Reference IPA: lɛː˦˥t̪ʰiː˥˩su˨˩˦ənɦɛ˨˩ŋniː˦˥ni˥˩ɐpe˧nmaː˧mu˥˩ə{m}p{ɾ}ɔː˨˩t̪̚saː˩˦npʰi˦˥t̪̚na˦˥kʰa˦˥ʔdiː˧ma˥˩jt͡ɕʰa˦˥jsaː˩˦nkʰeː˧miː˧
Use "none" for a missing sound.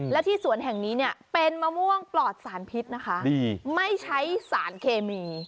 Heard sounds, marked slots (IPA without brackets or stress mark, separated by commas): ŋ, l